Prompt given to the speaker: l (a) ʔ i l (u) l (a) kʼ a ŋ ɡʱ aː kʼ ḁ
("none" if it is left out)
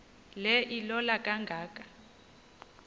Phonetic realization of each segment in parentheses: ɛ, ɔ, a

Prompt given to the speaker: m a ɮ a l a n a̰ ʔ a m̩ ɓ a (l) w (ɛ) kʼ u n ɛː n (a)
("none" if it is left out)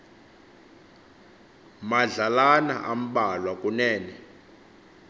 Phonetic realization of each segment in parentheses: l, a, ɛ

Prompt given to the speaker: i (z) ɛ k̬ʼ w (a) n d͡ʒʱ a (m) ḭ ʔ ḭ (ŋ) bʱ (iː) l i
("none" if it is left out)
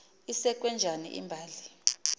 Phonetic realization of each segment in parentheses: s, ɛ, n, m, aː

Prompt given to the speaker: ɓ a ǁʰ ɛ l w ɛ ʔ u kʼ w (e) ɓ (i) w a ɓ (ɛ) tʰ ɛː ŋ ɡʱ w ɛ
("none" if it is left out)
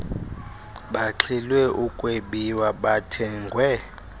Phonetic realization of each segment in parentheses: e, i, a

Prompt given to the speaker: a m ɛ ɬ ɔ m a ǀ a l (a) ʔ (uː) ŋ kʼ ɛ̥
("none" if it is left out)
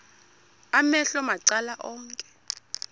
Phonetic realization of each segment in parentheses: a, ɔː

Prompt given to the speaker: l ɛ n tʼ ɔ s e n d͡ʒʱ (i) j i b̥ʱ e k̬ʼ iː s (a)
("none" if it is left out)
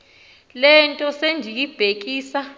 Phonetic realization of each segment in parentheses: i, a

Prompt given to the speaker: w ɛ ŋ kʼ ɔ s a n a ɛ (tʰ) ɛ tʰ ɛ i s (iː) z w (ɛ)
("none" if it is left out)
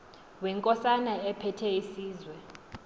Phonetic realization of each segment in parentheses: pʰ, iː, ɛ

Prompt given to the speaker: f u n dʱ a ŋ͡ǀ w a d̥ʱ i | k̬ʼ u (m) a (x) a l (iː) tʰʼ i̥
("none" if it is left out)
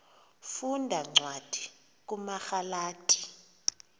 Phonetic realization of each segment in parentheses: m, x, aː

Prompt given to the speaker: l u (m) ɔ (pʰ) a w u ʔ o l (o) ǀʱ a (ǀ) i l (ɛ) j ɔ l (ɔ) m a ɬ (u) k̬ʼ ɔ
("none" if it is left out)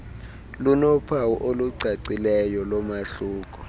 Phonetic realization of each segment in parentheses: n, pʰ, u, ǀ, ɛ, ɔ, uː

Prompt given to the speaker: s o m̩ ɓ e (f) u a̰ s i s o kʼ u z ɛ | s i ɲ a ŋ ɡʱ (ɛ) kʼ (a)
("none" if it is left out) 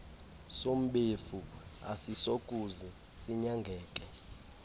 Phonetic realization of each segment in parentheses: f, ɛː, ɛ

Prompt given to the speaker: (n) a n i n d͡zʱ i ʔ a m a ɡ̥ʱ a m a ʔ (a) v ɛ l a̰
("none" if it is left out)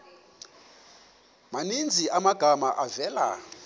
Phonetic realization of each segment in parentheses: m, a

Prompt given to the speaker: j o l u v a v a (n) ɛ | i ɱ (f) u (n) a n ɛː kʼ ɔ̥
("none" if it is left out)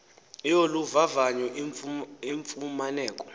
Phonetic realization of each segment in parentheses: ɲ, f, m

